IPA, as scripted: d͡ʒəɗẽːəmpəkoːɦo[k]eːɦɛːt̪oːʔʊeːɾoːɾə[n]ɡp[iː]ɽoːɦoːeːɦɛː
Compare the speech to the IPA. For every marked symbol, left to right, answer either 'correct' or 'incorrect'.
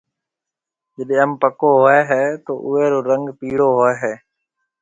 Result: incorrect: none, incorrect: ŋ, correct

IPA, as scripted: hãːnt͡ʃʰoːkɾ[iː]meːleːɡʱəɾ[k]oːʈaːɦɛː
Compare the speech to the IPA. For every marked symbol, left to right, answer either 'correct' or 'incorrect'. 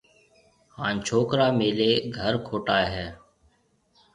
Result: incorrect: aː, incorrect: kʰ

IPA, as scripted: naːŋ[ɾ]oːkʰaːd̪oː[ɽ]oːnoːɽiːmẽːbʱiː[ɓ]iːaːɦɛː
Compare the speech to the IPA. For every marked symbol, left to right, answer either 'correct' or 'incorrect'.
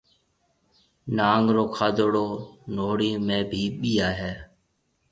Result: correct, correct, correct

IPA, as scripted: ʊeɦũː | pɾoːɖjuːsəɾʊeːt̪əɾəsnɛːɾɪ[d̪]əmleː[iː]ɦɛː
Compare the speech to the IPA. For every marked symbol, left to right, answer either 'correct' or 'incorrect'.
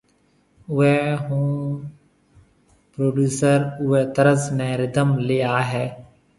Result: correct, incorrect: aː

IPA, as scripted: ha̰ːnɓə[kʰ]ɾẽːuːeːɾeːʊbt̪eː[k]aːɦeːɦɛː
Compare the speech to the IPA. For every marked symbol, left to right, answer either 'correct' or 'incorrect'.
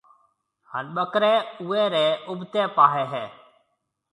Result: incorrect: k, incorrect: p

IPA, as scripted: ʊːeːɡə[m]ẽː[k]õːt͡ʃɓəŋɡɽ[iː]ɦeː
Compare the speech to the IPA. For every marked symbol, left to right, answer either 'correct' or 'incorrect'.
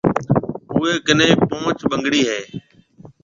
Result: incorrect: n, incorrect: p, correct

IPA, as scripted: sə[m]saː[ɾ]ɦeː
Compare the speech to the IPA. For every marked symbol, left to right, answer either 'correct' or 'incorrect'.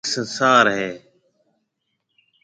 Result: incorrect: n, correct

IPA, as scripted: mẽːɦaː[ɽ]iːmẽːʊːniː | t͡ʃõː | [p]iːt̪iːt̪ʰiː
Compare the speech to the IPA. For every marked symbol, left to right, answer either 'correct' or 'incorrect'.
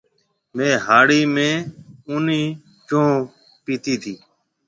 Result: correct, correct

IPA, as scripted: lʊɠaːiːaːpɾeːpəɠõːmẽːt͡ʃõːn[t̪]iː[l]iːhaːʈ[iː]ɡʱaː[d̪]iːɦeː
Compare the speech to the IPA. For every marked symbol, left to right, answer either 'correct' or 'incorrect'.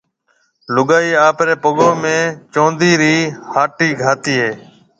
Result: incorrect: d̪, incorrect: ɾ, correct, incorrect: t̪

